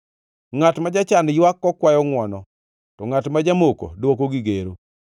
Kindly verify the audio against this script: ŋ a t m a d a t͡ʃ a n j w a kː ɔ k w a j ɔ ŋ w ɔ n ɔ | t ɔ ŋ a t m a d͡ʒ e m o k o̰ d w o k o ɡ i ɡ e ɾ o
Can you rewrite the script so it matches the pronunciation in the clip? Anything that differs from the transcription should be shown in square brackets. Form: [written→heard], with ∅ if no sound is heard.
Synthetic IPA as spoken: ŋ a t m a [d→d͡ʒ] a t͡ʃ a n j w a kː ɔ k w a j ɔ ŋ w ɔ n ɔ | t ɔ ŋ a t m a d͡ʒ [e→a] m o k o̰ d w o k o ɡ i ɡ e ɾ o

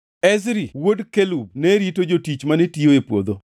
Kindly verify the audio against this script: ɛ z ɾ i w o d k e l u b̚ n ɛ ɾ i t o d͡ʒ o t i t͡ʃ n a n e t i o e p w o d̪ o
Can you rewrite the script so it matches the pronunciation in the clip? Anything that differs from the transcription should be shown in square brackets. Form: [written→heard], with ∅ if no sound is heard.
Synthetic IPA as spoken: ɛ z ɾ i w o d k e l u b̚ n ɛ ɾ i t o d͡ʒ o t i t͡ʃ [n→m] a n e t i o e p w o d̪ o

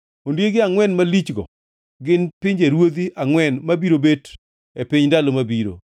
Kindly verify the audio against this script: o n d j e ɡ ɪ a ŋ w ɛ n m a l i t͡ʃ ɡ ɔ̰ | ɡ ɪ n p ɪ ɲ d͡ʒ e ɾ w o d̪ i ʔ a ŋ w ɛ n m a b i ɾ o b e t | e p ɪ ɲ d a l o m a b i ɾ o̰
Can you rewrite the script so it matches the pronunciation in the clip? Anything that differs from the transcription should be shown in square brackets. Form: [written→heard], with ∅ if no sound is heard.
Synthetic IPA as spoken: o n d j e ɡ ɪ a ŋ w ɛ n m a l i t͡ʃ ɡ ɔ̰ | ɡ ɪ n p ɪ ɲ d͡ʒ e ɾ w o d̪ i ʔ a ŋ w ɛ n m a b i ɾ o b e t | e p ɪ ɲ d a l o m a b i ɾ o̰

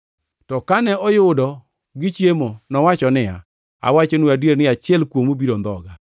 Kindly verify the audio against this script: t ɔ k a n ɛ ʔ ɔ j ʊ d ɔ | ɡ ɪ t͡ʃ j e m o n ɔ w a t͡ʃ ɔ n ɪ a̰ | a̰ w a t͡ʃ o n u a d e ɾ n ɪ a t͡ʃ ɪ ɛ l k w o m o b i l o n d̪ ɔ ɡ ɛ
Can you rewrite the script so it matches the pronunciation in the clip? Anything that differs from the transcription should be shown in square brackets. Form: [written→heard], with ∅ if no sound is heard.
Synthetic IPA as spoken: t ɔ k a n ɛ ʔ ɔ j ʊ d ɔ | ɡ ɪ t͡ʃ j e m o n ɔ w a t͡ʃ ɔ n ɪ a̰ | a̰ w a t͡ʃ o n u a d e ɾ n ɪ a t͡ʃ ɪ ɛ l k w o m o b i [l→ɾ] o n d̪ ɔ ɡ [ɛ→a]

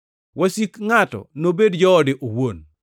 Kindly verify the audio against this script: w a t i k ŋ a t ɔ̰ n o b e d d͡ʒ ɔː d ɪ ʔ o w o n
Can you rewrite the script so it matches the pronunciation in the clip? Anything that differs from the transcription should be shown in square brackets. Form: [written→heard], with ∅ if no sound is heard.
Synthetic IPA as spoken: w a [t→s] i k ŋ a t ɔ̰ n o b e d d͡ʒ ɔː d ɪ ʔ o w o n

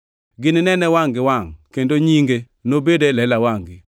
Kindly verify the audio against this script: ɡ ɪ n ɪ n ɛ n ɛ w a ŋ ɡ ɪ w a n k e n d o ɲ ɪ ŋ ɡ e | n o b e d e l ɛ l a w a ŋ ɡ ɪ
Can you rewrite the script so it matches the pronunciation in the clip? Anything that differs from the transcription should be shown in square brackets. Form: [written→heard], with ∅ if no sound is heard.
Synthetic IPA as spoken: ɡ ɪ n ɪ n ɛ n ɛ w a ŋ ɡ ɪ w a [n→ŋ] k e n d o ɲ [ɪ→i] ŋ ɡ e | n o b e d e l ɛ l a w a ŋ ɡ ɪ

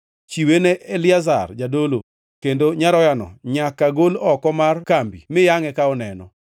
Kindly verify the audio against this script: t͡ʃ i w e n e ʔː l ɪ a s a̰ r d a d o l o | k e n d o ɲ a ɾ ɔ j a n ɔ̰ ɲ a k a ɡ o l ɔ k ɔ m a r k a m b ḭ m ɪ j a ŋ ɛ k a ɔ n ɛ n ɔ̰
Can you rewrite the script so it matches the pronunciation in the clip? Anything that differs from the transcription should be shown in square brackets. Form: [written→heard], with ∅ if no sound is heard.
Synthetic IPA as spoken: t͡ʃ i w e n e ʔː l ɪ a [s→z] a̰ r [d→d͡ʒ] a d o l o | k e n d o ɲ a ɾ ɔ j a n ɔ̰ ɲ a k a ɡ o l ɔ k ɔ m a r k a m b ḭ m ɪ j a ŋ ɛ k a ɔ n ɛ n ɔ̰

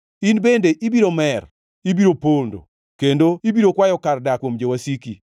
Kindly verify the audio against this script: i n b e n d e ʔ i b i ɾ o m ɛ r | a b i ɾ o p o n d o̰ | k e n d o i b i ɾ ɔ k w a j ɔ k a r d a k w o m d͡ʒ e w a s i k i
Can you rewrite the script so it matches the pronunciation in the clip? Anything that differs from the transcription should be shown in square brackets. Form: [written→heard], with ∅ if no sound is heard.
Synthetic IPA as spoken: i n b e n d e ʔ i b i ɾ o m ɛ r | [a→i] b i ɾ o p o n d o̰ | k e n d o i b i ɾ [ɔ→o] k w a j ɔ k a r d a k w o m d͡ʒ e w a s i k i

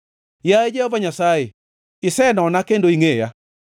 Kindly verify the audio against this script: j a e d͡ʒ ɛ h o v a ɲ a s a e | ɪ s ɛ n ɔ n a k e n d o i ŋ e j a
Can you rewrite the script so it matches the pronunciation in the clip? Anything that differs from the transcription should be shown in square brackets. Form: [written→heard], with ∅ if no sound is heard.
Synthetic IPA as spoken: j a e d͡ʒ ɛ h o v a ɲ a s a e | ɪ s ɛ n ɔ n a k e n d o i ŋ e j a

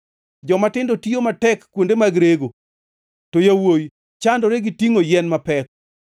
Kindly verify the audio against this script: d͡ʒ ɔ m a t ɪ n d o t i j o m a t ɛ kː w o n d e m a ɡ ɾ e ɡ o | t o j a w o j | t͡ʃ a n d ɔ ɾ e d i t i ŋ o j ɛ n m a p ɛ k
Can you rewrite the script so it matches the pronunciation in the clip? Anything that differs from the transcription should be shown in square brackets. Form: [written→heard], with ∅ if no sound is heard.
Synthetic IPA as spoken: d͡ʒ ɔ m a t ɪ n d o t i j o m a t ɛ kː w o n d e m a ɡ ɾ e ɡ o | t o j a w o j | t͡ʃ a n d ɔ ɾ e [d→ɡ] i t i ŋ o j ɛ n m a p ɛ k

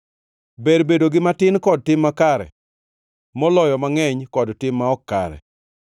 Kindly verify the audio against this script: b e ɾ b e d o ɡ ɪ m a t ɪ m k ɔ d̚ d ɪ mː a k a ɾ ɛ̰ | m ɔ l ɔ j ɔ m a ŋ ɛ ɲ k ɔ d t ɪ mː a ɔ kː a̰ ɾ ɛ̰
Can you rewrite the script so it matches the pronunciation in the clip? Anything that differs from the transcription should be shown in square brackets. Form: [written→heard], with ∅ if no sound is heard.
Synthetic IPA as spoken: b e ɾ b e d o ɡ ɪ m a t ɪ [m→n] k ɔ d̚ [d→t] ɪ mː a k a ɾ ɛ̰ | m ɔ l ɔ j ɔ m a ŋ ɛ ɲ k ɔ d t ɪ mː a ɔ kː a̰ ɾ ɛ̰

